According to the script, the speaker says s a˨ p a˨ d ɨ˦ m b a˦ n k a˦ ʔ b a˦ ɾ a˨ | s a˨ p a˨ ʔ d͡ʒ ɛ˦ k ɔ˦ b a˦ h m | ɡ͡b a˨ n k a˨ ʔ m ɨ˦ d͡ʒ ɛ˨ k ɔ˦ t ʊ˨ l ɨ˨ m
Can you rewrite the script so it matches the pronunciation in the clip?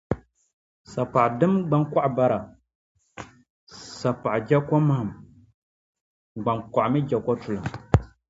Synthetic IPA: s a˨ p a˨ d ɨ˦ m ɡ͡b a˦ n k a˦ ʔ b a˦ ɾ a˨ | s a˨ p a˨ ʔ d͡ʒ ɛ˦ k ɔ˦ m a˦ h m | ɡ͡b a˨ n k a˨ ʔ m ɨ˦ d͡ʒ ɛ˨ k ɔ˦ t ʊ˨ l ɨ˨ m